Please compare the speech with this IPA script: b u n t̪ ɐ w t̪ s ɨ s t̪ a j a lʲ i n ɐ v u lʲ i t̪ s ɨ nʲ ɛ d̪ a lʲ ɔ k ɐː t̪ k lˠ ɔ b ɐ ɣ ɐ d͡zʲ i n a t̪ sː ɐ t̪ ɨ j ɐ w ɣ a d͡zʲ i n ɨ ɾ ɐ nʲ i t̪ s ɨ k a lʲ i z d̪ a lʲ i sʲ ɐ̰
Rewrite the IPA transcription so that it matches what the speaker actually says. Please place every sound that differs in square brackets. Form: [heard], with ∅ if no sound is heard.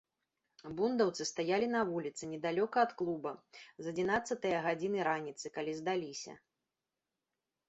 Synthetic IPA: b u n [d̪] ɐ w t̪ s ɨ s t̪ a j a lʲ i n ɐ v u lʲ i t̪ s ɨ nʲ ɛ d̪ a lʲ ɔ k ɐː t̪ k lˠ [u] b ɐ [z] ɐ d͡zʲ i n a t̪ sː ɐ t̪ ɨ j ɐ [∅] ɣ a d͡zʲ i n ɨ ɾ [a] nʲ i t̪ s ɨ k a lʲ i z d̪ a lʲ i sʲ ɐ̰